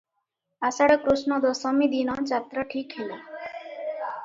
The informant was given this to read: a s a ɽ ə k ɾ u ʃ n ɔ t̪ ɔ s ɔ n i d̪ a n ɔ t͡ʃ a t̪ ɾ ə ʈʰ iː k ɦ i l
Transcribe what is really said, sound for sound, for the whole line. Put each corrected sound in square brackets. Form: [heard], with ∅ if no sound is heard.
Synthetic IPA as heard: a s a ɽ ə k ɾ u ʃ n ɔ [d̪] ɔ s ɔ [m] i d̪ [i] n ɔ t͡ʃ a t̪ ɾ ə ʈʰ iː k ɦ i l